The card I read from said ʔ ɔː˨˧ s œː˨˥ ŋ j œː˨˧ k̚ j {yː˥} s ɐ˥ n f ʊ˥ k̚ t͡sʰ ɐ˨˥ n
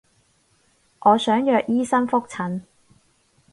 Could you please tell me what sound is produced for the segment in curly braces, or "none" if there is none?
iː˥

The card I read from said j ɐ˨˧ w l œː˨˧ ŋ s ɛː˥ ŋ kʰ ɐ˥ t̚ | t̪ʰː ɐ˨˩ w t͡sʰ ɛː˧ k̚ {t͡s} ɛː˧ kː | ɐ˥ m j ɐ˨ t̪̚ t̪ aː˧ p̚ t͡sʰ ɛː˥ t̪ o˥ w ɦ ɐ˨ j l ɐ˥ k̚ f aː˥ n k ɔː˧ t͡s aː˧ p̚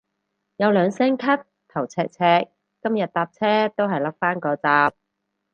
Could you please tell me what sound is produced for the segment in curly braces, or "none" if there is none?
t͡sʰ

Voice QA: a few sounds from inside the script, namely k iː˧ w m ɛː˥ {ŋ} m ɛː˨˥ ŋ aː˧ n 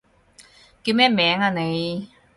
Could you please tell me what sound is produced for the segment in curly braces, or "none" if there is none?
none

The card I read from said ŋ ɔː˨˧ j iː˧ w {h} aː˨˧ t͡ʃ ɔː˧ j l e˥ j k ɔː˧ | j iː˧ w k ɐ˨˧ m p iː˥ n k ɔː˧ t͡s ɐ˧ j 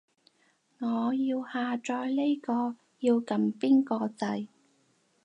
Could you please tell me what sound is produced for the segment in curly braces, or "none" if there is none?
h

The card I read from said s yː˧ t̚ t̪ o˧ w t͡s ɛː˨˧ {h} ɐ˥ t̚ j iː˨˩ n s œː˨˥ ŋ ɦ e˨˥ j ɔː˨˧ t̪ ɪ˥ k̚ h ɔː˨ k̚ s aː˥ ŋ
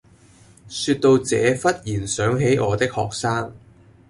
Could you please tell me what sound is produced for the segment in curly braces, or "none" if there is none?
f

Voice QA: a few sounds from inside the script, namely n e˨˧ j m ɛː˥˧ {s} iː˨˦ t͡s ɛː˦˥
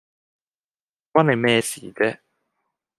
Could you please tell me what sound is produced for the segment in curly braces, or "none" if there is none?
s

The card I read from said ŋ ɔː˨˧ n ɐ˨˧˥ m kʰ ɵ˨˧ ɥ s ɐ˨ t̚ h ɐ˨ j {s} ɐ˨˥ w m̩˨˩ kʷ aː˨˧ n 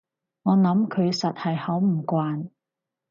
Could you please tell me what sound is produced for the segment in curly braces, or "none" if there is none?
h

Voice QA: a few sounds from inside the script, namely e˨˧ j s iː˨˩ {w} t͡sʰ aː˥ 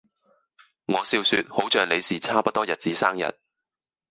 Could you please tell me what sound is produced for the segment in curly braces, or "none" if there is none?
none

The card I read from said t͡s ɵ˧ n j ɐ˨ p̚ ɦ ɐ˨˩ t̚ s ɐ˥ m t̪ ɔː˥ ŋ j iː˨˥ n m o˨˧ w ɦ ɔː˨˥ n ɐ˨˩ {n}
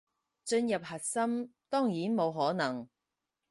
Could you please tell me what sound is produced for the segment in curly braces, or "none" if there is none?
ŋ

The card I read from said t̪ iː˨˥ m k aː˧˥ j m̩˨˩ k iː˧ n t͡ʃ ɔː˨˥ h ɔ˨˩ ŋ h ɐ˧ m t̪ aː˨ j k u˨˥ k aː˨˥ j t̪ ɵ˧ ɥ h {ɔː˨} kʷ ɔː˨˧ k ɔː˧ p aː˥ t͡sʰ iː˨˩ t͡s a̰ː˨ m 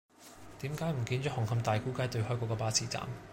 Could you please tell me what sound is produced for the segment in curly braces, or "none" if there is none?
ɔː˥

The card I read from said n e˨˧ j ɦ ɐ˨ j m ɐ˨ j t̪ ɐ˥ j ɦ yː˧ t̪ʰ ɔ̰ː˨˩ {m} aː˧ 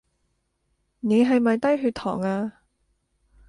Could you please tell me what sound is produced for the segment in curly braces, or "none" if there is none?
ŋ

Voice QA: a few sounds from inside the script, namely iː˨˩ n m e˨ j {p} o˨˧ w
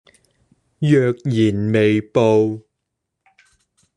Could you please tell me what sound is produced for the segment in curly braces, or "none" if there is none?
p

